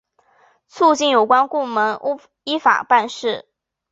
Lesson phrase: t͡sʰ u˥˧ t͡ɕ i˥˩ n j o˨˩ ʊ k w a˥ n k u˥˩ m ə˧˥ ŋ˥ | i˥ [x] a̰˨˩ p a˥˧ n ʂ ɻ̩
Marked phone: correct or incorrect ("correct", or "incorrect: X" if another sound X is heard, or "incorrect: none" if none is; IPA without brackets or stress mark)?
incorrect: f